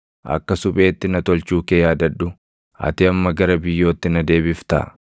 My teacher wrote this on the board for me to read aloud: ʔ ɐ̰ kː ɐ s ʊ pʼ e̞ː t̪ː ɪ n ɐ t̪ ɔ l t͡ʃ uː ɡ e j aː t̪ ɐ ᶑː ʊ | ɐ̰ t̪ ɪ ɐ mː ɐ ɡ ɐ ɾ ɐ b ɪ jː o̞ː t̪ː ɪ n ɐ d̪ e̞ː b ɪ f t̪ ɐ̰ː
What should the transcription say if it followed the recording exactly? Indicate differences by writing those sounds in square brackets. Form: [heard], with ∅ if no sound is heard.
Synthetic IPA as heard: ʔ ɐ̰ kː ɐ s ʊ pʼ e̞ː t̪ː ɪ n ɐ t̪ ɔ l t͡ʃ uː [k] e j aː [d̪] ɐ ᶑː ʊ | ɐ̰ t̪ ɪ ɐ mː ɐ ɡ ɐ ɾ ɐ b ɪ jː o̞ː t̪ː ɪ n ɐ d̪ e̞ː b ɪ f t̪ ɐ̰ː